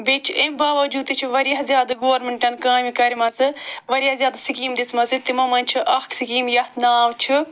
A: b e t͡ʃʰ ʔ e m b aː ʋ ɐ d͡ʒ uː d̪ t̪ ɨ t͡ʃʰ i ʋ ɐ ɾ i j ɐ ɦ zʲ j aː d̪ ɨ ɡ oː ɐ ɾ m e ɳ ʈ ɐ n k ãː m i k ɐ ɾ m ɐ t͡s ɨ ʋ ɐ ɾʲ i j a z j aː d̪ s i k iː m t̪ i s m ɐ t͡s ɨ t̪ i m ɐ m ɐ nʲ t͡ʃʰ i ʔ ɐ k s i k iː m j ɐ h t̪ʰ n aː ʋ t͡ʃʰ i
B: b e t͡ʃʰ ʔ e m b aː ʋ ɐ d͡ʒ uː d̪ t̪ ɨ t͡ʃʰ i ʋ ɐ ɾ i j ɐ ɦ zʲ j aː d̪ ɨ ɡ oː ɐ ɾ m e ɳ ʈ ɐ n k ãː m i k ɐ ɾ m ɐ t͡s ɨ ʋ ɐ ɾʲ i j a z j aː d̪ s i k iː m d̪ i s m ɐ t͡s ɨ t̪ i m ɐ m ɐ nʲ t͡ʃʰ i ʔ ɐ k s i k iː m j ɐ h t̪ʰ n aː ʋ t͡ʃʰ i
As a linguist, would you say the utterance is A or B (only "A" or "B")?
B